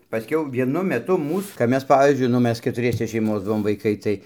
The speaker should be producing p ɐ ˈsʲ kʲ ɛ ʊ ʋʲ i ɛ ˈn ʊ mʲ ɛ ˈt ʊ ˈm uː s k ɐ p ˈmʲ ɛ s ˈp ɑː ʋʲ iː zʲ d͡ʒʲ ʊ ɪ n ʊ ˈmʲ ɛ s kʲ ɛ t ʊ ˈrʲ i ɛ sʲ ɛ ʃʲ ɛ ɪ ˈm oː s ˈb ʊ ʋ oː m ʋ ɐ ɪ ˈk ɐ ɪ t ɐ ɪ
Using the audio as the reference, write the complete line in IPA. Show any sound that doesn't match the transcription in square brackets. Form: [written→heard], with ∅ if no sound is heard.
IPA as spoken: p ɐ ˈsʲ kʲ ɛ ʊ ʋʲ i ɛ ˈn ʊ mʲ ɛ ˈt ʊ ˈm uː s k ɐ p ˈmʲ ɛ s ˈp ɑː ʋʲ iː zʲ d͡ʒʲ ʊ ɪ n ʊ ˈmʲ ɛ s kʲ ɛ t ʊ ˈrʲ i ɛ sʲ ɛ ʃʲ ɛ ɪ ˈm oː s ˈb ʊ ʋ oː m ʋ ɐ ɪ ˈk ɐ ɪ t ɐ ɪ

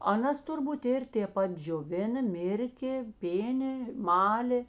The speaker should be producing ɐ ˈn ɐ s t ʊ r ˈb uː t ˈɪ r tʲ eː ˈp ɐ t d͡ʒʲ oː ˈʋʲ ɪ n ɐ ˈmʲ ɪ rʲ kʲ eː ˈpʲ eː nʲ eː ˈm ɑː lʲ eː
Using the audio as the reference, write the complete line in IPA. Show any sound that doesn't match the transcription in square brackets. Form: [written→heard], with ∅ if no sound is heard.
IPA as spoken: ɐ ˈn ɐ s t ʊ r ˈb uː t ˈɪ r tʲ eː ˈp ɐ t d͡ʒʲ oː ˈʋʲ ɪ n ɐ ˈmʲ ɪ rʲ kʲ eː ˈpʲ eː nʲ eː ˈm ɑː lʲ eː

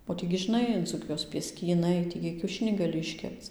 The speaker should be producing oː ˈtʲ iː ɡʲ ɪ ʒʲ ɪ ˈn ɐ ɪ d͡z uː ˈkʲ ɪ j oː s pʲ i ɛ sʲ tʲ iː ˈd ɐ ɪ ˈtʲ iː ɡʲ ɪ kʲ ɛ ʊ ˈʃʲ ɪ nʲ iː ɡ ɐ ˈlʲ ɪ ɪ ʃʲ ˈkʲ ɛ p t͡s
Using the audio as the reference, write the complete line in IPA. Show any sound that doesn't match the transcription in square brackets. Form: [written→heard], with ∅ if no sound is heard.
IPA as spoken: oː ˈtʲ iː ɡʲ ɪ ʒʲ ɪ ˈn ɐ ɪ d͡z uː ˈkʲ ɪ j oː s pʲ i ɛ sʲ [tʲ→kʲ] iː [ˈd→ˈn] ɐ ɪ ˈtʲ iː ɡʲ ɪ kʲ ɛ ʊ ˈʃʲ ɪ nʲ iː ɡ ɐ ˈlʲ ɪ ɪ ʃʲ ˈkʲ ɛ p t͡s

